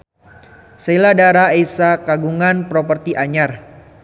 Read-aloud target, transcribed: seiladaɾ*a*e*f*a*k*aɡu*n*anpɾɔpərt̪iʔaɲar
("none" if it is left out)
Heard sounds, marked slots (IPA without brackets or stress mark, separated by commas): a, s, k, ŋ